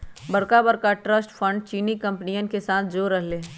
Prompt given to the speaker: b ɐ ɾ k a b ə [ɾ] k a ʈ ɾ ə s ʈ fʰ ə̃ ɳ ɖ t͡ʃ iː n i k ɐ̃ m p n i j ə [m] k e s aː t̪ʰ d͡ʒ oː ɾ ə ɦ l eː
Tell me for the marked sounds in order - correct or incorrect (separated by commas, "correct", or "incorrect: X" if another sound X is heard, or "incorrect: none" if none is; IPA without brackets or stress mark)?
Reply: correct, incorrect: n